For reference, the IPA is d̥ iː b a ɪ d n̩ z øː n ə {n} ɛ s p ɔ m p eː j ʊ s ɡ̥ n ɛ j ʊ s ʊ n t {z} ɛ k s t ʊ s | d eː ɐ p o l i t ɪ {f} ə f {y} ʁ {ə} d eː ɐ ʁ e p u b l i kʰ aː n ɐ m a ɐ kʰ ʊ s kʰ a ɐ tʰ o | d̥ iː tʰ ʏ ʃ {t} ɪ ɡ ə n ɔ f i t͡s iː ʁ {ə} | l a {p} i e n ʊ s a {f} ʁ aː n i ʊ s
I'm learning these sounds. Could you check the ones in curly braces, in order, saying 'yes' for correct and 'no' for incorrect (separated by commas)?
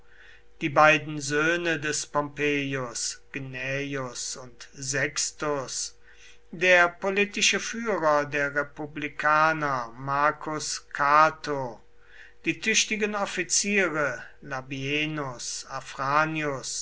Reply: no, yes, no, no, no, yes, yes, no, yes